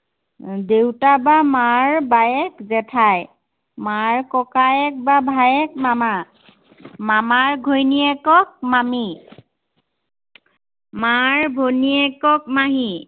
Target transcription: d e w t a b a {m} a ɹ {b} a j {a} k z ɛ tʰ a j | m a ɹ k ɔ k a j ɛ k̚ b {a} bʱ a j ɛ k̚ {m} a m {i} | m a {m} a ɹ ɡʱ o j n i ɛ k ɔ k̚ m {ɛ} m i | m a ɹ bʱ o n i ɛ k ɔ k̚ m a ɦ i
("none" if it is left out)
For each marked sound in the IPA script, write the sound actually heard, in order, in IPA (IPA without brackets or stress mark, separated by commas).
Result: m, b, ɛ, a, m, a, m, a